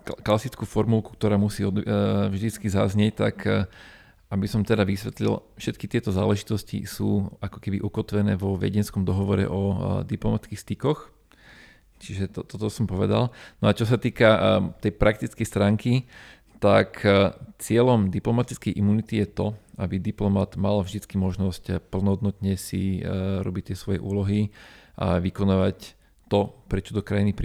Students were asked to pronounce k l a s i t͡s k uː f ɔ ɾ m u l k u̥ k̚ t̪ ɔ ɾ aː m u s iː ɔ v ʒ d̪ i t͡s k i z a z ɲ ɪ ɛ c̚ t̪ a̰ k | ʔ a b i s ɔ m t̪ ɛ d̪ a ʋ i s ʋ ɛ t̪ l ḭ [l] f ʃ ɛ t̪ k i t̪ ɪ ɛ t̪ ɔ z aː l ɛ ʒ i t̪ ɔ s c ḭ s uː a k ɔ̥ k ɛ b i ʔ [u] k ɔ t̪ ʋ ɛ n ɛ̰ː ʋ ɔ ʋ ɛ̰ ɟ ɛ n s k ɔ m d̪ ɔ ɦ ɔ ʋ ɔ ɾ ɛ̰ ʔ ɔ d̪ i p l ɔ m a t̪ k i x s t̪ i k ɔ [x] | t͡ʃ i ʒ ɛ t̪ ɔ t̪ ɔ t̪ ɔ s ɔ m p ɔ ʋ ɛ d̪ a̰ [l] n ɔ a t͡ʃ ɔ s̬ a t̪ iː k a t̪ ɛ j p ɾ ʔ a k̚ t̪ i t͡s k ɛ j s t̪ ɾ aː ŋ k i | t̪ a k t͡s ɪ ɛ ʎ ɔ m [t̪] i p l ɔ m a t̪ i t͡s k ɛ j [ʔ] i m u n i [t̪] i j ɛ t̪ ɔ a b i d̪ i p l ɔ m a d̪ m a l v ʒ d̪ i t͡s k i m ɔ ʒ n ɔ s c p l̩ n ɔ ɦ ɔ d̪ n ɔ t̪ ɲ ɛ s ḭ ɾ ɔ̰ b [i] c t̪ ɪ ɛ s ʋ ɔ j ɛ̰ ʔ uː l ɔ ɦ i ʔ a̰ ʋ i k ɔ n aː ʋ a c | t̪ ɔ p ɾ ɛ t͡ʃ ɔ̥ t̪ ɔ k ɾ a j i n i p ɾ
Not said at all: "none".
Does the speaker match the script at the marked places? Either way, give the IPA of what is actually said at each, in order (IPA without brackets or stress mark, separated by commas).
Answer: l, u, x, l, d̪, ʔ, t̪, i